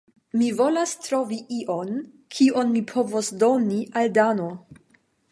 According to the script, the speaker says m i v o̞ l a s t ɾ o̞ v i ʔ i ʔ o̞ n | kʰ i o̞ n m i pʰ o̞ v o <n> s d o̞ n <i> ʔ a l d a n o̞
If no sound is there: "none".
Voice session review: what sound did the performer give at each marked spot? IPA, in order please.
none, i

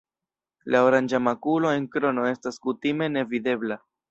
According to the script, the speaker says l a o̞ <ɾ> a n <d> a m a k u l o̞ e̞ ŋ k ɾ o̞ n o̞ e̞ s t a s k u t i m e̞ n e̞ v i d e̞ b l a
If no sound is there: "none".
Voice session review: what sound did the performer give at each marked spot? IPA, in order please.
ɾ, d͡ʒ

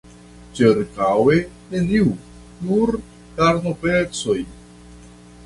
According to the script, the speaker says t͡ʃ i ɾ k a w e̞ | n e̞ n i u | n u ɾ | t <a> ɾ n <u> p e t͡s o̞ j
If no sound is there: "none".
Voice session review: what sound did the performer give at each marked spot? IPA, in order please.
a, o

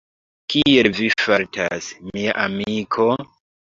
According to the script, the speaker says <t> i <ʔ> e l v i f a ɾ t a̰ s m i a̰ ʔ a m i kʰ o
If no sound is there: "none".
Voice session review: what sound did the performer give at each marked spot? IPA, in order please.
k, none

